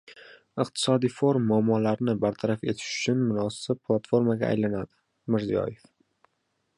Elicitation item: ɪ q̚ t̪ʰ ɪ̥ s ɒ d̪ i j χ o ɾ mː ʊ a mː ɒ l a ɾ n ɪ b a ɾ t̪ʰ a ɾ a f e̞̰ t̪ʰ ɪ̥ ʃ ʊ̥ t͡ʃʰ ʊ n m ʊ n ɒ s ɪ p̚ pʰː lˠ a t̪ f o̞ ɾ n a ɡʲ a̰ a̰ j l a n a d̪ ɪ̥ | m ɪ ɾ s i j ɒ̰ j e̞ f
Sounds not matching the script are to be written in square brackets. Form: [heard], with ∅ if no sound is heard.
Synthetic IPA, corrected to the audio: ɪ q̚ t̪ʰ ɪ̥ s ɒ d̪ i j [f] o ɾ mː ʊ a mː ɒ l a ɾ n ɪ b a ɾ t̪ʰ a ɾ a f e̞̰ t̪ʰ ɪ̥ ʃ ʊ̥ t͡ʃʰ ʊ n m ʊ n ɒ s ɪ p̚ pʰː lˠ a t̪ f o̞ ɾ [m] a ɡʲ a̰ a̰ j l a n a d̪ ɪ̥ | m ɪ ɾ [z] i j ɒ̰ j e̞ f